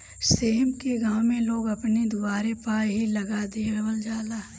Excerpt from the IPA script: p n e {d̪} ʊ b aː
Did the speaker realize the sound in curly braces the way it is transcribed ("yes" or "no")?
yes